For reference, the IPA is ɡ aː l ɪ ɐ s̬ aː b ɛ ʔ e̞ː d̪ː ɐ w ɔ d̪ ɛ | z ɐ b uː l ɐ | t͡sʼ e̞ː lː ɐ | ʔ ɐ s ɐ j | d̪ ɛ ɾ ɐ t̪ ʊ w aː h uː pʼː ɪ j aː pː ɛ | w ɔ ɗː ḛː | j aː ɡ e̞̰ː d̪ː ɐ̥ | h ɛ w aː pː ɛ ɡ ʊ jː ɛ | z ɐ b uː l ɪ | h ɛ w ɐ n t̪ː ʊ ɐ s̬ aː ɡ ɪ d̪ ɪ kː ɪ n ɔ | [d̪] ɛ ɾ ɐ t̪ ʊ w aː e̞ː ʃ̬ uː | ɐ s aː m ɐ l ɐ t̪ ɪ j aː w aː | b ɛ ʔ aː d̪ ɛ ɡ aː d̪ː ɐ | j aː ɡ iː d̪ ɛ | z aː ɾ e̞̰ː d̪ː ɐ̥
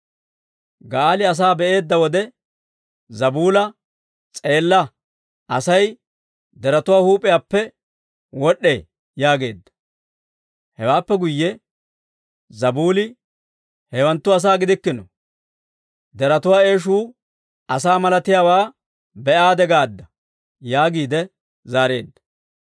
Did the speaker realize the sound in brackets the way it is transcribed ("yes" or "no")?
yes